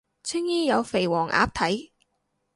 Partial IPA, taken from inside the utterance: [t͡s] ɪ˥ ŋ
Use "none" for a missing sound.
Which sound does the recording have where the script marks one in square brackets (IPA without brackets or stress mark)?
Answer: t͡sʰ